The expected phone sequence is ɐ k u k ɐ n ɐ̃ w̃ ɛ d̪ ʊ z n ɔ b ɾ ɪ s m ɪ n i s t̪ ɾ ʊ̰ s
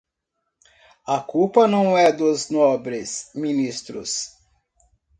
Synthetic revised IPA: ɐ k u p ɐ n ɐ̃ w̃ ɛ d̪ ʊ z n ɔ b ɾ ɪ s m i n i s t̪ ɾ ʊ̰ s